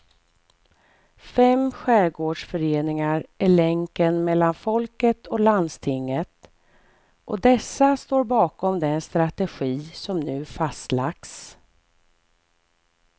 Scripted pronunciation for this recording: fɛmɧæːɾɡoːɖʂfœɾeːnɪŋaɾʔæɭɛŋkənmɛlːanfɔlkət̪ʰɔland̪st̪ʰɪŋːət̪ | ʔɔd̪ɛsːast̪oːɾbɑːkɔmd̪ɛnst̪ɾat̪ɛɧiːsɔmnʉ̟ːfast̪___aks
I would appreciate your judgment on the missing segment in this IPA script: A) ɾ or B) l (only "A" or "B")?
B